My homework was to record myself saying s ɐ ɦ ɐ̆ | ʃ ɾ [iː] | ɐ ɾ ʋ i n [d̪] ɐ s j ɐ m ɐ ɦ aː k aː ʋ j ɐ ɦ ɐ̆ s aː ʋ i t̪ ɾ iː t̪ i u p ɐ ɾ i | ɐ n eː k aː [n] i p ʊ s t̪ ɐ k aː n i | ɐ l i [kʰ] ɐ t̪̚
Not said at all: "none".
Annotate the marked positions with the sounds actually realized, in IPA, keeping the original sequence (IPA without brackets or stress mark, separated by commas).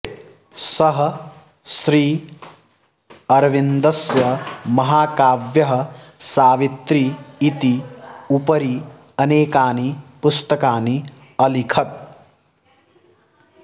iː, d̪, n, kʰ